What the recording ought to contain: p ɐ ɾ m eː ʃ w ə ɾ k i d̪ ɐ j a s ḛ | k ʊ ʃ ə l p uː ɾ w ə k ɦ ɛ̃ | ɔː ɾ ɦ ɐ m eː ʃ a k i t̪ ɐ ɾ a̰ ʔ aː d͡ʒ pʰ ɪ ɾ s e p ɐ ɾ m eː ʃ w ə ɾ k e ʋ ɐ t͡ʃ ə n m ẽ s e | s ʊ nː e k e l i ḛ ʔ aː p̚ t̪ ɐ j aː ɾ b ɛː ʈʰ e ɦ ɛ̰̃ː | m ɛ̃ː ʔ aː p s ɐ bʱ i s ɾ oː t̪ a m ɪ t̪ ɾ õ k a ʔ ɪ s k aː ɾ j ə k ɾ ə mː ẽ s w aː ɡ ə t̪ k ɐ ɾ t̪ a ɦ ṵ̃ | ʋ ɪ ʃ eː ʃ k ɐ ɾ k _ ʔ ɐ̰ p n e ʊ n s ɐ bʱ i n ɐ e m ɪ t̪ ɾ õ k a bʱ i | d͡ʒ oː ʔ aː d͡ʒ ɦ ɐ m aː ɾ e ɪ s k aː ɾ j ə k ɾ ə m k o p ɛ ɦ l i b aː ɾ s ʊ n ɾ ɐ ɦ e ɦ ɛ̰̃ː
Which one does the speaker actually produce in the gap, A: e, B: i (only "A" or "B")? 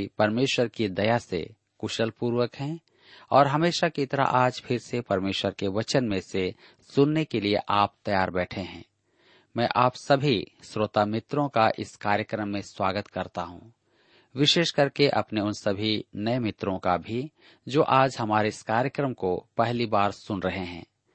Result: A